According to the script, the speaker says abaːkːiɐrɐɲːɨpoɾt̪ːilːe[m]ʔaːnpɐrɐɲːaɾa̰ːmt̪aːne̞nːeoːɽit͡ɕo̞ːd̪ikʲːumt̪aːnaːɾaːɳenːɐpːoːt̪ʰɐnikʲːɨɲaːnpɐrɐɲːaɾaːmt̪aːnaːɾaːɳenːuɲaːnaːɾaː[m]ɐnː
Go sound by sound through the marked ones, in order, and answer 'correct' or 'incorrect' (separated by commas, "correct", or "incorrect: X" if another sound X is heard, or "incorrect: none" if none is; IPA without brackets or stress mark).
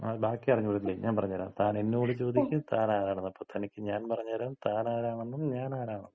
incorrect: ɲ, incorrect: ɳ